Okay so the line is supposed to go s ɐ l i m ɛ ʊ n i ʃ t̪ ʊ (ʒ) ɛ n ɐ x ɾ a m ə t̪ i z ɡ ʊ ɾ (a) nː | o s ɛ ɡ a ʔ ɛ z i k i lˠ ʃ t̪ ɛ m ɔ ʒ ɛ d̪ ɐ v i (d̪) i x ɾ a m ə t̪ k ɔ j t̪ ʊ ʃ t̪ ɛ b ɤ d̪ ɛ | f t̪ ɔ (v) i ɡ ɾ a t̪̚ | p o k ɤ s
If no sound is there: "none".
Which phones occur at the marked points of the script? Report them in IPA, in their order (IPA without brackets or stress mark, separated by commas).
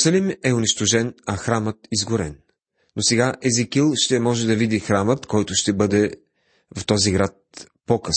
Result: ʒ, ɛ, d̪, z